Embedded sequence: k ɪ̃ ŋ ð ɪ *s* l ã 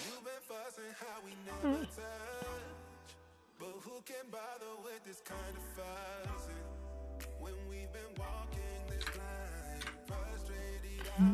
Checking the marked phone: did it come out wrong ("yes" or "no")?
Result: no